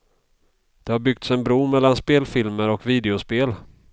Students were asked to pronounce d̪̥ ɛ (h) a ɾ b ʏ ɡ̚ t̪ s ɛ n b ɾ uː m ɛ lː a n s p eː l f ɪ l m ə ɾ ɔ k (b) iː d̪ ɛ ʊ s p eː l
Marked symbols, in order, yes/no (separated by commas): yes, no